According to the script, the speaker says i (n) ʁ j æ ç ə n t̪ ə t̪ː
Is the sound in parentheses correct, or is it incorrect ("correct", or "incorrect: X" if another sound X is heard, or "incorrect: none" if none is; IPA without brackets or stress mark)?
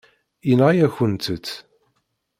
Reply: correct